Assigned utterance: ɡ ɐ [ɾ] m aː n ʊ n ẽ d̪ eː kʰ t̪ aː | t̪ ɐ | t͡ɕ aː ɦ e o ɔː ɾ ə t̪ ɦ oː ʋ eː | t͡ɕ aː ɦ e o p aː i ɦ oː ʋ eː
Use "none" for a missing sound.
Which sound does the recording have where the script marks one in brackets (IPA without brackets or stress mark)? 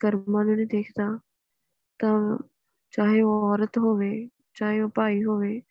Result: ɾ